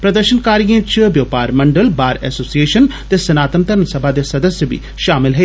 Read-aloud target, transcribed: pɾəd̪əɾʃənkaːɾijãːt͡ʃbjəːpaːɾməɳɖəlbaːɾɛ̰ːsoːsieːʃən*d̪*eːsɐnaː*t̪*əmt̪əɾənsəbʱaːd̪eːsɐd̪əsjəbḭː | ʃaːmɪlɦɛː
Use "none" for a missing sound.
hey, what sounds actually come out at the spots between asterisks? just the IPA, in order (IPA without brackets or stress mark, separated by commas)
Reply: t̪, t̪